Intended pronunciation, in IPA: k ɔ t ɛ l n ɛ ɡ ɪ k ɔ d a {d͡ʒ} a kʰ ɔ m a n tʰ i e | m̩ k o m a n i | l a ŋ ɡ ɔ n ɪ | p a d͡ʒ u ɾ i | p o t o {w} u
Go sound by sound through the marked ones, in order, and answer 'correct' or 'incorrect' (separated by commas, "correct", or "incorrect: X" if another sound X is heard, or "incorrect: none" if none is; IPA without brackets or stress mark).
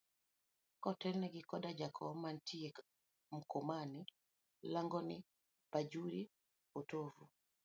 correct, incorrect: v